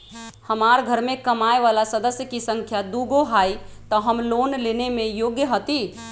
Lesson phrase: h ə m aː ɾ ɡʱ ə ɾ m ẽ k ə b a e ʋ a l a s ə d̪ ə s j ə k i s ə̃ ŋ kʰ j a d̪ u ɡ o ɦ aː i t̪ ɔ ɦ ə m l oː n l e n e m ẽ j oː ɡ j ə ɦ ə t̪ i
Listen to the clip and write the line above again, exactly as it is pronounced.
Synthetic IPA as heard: h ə m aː ɾ ɡʱ ə ɾ m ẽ k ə m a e ʋ a l a s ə d̪ ə s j ə k i s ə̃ ŋ kʰ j a d̪ u ɡ o ɦ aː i t̪ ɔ ɦ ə m l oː n l e n e m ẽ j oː ɡ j ə ɦ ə t̪ i